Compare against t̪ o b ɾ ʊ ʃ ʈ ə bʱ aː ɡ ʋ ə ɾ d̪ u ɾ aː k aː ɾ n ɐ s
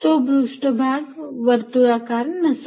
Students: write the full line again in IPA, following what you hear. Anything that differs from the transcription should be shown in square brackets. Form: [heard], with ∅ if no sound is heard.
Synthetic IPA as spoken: t̪ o b ɾ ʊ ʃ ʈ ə bʱ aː ɡ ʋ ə ɾ [t̪] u ɾ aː k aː ɾ n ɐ s